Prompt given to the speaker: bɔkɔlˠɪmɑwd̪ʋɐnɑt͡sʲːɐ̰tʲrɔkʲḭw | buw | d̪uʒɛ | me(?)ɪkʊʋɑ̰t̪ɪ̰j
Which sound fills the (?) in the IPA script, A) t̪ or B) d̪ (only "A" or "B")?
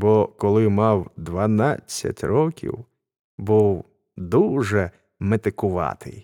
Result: A